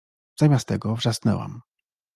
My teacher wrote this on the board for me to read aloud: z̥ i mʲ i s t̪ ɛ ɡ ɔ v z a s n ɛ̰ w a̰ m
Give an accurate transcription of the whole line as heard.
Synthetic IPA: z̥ a mʲ a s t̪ ɛ ɡ ɔ v ʐ a s n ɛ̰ w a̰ m